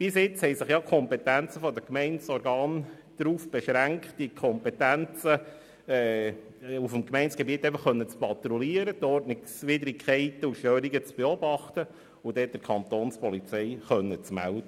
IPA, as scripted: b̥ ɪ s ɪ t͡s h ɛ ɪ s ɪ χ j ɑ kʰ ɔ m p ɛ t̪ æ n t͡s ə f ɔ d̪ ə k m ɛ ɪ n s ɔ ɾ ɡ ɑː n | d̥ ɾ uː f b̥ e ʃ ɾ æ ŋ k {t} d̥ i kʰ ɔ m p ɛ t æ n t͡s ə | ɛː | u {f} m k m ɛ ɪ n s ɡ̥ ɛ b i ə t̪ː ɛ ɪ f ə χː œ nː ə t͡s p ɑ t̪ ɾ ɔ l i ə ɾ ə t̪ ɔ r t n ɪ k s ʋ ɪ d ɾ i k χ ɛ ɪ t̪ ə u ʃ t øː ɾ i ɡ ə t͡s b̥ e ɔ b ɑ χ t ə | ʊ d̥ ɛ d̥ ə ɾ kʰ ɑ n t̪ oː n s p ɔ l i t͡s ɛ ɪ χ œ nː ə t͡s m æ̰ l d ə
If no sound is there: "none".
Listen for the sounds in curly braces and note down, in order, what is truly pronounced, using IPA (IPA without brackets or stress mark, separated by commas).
t, f